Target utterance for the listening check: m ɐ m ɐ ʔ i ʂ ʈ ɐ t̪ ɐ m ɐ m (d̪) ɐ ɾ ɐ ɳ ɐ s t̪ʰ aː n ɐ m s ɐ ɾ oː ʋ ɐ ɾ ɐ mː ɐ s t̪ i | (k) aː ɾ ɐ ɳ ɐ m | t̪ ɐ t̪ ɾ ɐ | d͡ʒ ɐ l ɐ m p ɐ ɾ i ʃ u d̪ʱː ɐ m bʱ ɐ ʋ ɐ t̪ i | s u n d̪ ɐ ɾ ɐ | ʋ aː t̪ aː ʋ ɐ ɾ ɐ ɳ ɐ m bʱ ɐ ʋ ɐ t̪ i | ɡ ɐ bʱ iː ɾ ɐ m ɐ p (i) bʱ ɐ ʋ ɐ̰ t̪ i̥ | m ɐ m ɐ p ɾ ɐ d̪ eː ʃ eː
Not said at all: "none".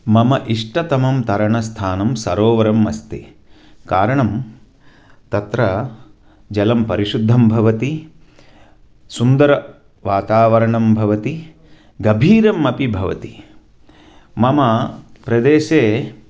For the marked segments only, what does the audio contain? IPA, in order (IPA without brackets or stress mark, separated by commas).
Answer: t̪, k, i